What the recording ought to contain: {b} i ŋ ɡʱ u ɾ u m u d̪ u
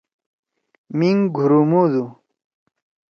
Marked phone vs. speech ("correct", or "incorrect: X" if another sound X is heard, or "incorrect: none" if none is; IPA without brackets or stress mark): incorrect: m